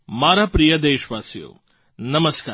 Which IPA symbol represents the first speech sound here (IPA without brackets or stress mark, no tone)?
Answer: m